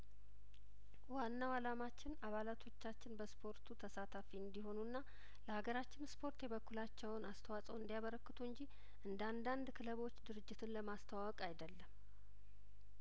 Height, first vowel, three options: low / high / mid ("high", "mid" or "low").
low